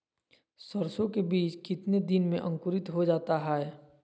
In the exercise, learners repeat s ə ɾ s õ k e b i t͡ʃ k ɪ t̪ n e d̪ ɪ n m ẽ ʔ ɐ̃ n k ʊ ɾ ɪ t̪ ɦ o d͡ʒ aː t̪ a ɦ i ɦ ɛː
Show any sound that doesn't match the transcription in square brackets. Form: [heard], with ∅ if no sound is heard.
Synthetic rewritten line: s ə ɾ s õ k e b [iː] t͡ʃ k ɪ t̪ n e d̪ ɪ n m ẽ ʔ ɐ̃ [ŋ] k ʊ ɾ ɪ t̪ ɦ o d͡ʒ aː t̪ a ɦ [ɛ] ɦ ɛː